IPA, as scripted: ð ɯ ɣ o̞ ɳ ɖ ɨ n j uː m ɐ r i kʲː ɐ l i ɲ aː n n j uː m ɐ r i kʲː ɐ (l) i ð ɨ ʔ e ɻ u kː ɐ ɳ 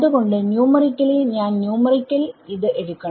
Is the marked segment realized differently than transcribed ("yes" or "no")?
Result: no